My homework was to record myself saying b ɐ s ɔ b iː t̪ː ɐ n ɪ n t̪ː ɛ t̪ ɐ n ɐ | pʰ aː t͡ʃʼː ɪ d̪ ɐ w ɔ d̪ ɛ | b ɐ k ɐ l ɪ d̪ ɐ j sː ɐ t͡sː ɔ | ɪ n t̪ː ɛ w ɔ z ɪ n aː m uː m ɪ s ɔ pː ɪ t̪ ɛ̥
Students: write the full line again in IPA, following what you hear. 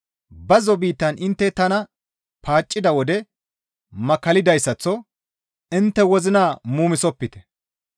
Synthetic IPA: b ɐ z ɔ b iː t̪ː ɐ n ɪ n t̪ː ɛ t̪ ɐ n ɐ | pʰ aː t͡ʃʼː ɪ d̪ ɐ w ɔ d̪ ɛ | m ɐ k ɐ l ɪ d̪ ɐ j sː ɐ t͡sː ɔ | ɪ n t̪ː ɛ w ɔ z ɪ n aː m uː m ɪ s ɔ pː ɪ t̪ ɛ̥

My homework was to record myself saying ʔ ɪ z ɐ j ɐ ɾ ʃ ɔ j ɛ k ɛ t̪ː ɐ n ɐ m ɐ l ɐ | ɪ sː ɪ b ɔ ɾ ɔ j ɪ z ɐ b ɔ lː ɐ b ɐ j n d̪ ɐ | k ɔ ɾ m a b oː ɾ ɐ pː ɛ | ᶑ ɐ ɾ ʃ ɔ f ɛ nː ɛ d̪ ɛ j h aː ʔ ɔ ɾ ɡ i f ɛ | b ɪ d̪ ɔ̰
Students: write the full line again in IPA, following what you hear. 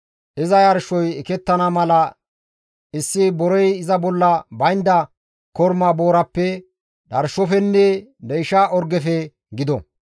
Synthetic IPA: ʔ ɪ z ɐ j ɐ ɾ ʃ ɔ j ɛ k ɛ t̪ː ɐ n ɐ m ɐ l ɐ | ɪ sː ɪ b ɔ ɾ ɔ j ɪ z ɐ b ɔ lː ɐ b ɐ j n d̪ ɐ | k ɔ ɾ m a b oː ɾ ɐ pː ɛ | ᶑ ɐ ɾ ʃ ɔ f ɛ nː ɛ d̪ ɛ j ʃ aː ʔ ɔ ɾ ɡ ɛ f ɛ | ɡ ɪ d̪ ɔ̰

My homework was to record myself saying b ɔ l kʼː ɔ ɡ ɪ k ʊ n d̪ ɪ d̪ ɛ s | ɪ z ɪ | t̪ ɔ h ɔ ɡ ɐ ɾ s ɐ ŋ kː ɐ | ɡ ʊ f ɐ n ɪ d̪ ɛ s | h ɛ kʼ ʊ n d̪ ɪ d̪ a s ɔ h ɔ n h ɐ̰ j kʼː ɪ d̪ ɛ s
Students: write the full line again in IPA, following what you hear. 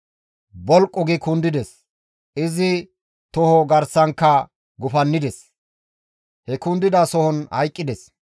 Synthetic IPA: b ɔ l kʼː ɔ ɡ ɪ k ʊ n d̪ ɪ d̪ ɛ s | ɪ z ɪ | t̪ ɔ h ɔ ɡ ɐ ɾ s ɐ ŋ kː ɐ | ɡ ʊ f ɐ nː ɪ d̪ ɛ s | h ɛ k ʊ n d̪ ɪ d̪ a s ɔ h ɔ n h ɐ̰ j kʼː ɪ d̪ ɛ s

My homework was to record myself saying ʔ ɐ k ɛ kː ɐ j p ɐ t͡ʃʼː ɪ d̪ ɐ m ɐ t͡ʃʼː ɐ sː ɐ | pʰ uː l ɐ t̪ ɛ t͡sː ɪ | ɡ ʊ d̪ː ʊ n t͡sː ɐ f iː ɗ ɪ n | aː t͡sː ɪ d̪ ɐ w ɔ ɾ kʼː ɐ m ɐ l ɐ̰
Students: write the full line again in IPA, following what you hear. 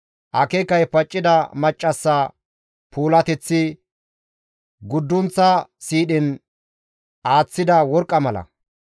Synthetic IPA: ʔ ɐ k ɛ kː ɐ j p ɐ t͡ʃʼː ɪ d̪ ɐ m ɐ t͡ʃʼː ɐ sː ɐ | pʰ uː l ɐ t̪ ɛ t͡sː ɪ | ɡ ʊ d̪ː ʊ n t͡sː ɐ s iː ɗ ɪ n | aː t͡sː ɪ d̪ ɐ w ɔ ɾ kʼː ɐ m ɐ l ɐ̰

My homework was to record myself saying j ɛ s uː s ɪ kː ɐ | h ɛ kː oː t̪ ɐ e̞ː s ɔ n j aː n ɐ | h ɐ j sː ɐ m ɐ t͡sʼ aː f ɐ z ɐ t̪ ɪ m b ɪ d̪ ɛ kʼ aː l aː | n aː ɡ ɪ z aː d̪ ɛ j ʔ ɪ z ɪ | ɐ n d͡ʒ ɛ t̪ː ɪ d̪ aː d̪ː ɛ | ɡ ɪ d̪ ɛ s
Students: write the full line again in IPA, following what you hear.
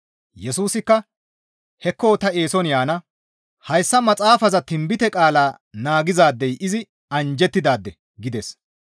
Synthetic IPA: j ɛ s uː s ɪ kː ɐ | h ɛ kː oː t̪ ɐ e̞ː s ɔ n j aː n ɐ | h ɐ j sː ɐ m ɐ t͡sʼ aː f ɐ z ɐ t̪ ɪ m b ɪ t̪ ɛ kʼ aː l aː | n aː ɡ ɪ z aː d̪ː ɛ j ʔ ɪ z ɪ | ɐ n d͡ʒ ɛ t̪ː ɪ d̪ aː d̪ː ɛ | ɡ ɪ d̪ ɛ s

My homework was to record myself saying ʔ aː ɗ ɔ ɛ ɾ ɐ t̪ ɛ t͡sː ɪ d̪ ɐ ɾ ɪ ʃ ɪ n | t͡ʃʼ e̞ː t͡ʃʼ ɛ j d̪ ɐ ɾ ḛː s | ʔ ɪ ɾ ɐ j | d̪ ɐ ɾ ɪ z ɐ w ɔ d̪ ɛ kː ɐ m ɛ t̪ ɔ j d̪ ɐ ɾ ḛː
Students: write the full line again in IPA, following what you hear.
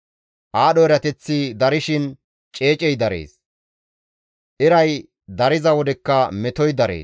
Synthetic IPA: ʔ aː ɗ ɔ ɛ ɾ ɐ t̪ ɛ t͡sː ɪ d̪ ɐ ɾ ɪ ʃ ɪ n | t͡ʃʼ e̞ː t͡ʃʼ ɛ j d̪ ɐ ɾ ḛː s | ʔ ɪ ɾ ɐ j | d̪ ɐ ɾ ɪ z ɐ w ɔ d̪ ɛ kː ɐ m ɛ t̪ ɔ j d̪ ɐ ɾ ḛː

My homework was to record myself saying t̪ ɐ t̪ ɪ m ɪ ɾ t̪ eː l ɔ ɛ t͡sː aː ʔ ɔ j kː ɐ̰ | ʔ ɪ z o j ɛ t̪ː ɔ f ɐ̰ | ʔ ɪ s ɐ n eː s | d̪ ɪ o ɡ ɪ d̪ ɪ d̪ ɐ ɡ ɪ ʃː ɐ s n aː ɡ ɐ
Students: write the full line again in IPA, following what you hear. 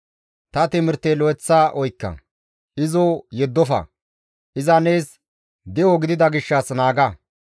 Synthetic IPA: t̪ ɐ t̪ ɪ m ɪ ɾ t̪ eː l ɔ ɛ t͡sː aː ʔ ɔ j kː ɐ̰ | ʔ ɪ z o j ɛ d̪ː ɔ f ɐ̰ | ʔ ɪ z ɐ n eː s | d̪ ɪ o ɡ ɪ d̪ ɪ d̪ ɐ ɡ ɪ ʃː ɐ s n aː ɡ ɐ

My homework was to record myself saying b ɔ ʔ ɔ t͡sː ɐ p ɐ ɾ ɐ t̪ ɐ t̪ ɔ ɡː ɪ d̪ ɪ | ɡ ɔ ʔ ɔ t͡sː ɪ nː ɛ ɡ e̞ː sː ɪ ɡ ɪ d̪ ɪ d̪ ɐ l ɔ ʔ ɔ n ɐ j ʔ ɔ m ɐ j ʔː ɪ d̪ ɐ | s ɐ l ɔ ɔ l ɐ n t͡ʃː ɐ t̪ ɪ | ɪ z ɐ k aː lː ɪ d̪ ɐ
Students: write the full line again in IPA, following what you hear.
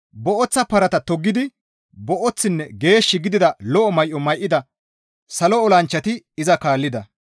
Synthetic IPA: b ɔ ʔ ɔ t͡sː ɐ p ɐ ɾ ɐ t̪ ɐ t̪ ɔ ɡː ɪ d̪ ɪ | b ɔ ʔ ɔ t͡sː ɪ nː ɛ ɡ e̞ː ʃː ɪ ɡ ɪ d̪ ɪ d̪ ɐ l ɔ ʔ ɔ m ɐ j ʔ ɔ m ɐ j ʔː ɪ d̪ ɐ | s ɐ l ɔ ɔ l ɐ n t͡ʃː ɐ t̪ ɪ | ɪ z ɐ k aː lː ɪ d̪ ɐ

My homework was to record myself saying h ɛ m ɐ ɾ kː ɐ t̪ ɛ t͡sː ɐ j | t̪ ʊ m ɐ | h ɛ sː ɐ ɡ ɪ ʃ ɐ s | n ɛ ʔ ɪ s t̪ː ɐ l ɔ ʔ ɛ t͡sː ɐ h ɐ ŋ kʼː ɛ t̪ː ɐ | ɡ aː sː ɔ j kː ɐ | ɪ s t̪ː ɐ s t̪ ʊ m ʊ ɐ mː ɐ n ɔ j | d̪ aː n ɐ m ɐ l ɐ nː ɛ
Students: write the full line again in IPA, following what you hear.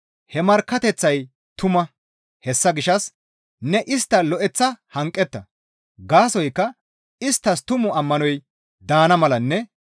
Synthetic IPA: h ɛ m ɐ ɾ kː ɐ t̪ ɛ t͡sː ɐ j | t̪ ʊ m ɐ | h ɛ sː ɐ ɡ ɪ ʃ ɐ s | n ɛ ʔ ɪ s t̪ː ɐ l ɔ ʔ ɛ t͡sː ɐ h ɐ ŋ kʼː ɛ t̪ː ɐ | ɡ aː s ɔ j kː ɐ | ɪ s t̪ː ɐ s t̪ ʊ m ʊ ɐ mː ɐ n ɔ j | d̪ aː n ɐ m ɐ l ɐ nː ɛ

